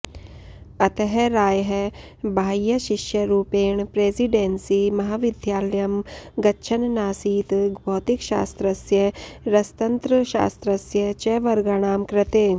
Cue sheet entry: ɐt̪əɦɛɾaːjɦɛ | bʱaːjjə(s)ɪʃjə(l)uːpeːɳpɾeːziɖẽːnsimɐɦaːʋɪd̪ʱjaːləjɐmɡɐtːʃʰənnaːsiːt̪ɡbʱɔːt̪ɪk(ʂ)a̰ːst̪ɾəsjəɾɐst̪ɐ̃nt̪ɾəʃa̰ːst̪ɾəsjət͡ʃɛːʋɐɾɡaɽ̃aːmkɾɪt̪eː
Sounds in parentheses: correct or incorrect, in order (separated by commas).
incorrect, incorrect, incorrect